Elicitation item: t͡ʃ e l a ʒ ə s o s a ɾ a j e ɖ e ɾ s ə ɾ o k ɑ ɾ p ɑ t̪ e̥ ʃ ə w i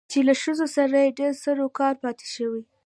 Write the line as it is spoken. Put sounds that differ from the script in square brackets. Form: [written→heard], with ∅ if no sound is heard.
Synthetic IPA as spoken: t͡ʃ e l a [ʒ→ʃ] ə [s→z] o s a ɾ a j e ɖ e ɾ s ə ɾ o k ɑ ɾ p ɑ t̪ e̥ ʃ ə w i